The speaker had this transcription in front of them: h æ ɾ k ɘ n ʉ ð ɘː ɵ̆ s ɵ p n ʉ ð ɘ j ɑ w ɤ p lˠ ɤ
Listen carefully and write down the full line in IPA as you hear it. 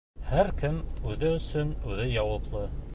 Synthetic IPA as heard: h æ ɾ k ɘ m ʉ ð ɘ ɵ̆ s ɵ n ʉ ð ɘ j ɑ w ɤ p lˠ ɤ